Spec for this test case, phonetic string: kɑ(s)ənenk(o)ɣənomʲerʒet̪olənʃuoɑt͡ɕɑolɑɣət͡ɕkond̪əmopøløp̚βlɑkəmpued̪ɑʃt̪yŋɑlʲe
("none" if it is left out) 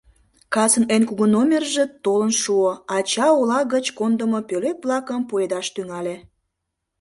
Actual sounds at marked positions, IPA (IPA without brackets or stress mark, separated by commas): s, u